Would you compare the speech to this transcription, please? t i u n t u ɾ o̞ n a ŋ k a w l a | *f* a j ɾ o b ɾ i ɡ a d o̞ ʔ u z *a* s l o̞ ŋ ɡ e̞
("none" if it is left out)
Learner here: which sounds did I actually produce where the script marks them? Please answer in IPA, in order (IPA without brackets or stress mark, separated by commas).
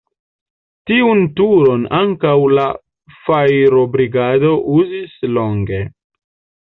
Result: f, i